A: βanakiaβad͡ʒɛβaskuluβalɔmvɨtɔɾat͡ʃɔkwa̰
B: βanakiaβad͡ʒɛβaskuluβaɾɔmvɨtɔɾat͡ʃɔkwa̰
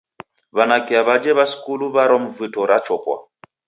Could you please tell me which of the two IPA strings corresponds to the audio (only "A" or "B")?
B